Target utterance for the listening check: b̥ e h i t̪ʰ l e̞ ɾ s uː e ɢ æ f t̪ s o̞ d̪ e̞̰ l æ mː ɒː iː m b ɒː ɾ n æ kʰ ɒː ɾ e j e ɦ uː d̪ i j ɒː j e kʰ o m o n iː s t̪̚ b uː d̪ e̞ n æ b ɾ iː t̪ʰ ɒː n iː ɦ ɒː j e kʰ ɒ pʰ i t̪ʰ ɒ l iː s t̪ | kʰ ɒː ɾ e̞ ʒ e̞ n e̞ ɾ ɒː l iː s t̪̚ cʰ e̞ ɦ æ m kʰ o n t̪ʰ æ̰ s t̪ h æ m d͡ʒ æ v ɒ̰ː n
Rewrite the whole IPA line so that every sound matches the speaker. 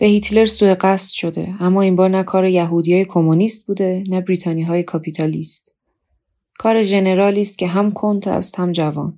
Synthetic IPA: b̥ e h i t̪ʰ l e̞ ɾ s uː e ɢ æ s t̪ ʃ o̞ d̪ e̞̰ æ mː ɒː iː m b ɒː ɾ n æ kʰ ɒː ɾ e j æ ɦ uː d̪ i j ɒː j e kʰ o m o n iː s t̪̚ b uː d̪ e̞ n æ b ɾ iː t̪ʰ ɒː n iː ɦ ɒː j e kʰ ɒ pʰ i t̪ʰ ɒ l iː s t̪ | kʰ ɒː ɾ e̞ ʒ e̞ n e̞ ɾ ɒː l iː s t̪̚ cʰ e̞ ɦ æ m kʰ o n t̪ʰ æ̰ s t̪ h æ m d͡ʒ æ v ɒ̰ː n